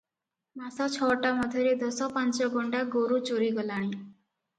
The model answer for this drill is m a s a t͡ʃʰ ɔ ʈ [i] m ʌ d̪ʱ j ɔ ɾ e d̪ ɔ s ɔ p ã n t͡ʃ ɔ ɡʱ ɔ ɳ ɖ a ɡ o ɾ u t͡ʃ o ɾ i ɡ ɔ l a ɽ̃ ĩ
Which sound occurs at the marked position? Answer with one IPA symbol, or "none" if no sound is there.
a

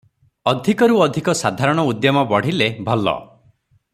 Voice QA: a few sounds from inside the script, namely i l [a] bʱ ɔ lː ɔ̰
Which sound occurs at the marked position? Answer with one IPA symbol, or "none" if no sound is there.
e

